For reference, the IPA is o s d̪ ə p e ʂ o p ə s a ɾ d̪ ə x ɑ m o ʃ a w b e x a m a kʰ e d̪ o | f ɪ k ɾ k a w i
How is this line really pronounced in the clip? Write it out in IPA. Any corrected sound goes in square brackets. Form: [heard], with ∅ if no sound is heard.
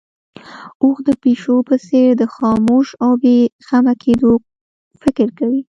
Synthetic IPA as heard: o [x] d̪ ə p e [ʃ] o p ə s [e] ɾ d̪ ə x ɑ m o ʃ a w b e x a m a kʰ e d̪ o | f ɪ k ɾ k a w i